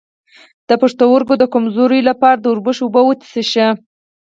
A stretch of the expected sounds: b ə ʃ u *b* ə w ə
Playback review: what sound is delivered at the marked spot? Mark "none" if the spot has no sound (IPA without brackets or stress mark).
b